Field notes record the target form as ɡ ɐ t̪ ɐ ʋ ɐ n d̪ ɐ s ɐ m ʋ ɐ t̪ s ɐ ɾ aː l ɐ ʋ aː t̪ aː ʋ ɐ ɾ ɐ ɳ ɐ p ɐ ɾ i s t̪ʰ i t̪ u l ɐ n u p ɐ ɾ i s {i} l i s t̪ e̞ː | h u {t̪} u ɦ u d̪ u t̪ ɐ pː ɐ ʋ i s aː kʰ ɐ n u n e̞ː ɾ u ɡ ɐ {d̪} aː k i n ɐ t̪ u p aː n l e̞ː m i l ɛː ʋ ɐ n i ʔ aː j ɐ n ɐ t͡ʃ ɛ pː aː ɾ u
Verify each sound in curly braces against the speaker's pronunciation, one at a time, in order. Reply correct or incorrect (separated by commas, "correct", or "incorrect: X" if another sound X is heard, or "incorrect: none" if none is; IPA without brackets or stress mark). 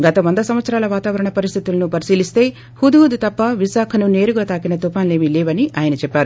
incorrect: iː, incorrect: d̪, incorrect: t̪